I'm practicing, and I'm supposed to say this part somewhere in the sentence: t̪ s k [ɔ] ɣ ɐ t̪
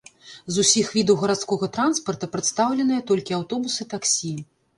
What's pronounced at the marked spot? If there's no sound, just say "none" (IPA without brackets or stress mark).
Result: ɔ